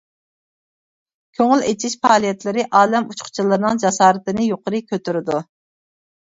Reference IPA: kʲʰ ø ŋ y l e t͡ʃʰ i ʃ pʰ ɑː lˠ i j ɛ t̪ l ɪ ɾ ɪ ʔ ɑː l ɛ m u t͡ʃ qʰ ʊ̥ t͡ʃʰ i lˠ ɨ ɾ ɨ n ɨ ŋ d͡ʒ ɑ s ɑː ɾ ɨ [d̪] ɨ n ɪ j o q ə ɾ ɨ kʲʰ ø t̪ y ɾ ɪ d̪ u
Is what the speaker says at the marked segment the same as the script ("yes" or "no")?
no